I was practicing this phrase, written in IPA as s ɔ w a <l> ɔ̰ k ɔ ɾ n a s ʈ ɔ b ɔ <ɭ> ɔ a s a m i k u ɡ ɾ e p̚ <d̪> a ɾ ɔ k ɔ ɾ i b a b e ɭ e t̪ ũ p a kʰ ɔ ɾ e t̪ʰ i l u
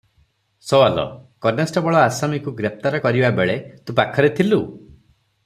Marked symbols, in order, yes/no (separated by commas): yes, yes, no